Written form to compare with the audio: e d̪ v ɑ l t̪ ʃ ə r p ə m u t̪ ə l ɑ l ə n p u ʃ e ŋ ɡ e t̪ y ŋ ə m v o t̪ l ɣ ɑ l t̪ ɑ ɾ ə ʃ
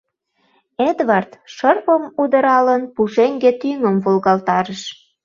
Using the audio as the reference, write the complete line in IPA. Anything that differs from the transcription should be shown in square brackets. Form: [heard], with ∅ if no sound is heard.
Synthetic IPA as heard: e d̪ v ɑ [r] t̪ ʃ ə r p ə m u [d̪] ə [ɾ] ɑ l ə n p u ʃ e ŋ ɡ e t̪ y ŋ ə m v o [∅] l ɣ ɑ l t̪ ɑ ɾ ə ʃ